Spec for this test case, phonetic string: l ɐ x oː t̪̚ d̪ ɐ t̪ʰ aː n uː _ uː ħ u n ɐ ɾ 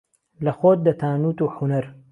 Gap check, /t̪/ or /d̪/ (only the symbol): t̪